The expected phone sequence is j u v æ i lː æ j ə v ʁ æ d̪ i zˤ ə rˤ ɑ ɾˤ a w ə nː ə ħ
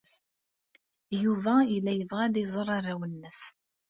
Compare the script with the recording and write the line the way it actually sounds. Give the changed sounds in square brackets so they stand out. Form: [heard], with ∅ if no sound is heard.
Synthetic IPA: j u v æ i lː æ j ə v ʁ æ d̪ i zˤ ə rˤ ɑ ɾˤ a w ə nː ə [s]